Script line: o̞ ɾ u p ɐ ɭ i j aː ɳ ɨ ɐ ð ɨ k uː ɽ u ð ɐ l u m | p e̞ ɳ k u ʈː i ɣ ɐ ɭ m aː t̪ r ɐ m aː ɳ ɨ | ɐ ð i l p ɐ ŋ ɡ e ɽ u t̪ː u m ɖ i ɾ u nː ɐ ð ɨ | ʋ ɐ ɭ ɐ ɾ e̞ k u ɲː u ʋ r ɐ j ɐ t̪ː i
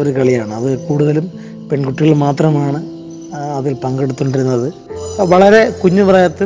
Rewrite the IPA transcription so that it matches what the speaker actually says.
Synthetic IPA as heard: o̞ ɾ u k ɐ ɭ i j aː ɳ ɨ ɐ ð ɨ k uː ɽ u ð ɐ l u m | p e̞ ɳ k u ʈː i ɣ ɐ ɭ m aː t̪ r ɐ m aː ɳ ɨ | ɐ ð i l p ɐ ŋ ɡ e ɽ u t̪ː u ɳ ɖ i ɾ u nː ɐ ð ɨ | ʋ ɐ ɭ ɐ ɾ e̞ k u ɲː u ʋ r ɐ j ɐ t̪ː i